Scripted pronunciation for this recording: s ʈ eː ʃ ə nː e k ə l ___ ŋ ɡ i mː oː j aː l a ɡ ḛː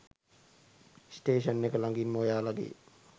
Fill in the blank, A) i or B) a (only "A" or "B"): B